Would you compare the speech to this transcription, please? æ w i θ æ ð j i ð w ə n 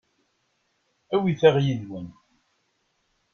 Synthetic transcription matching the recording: æ w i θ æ ʁ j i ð w ə n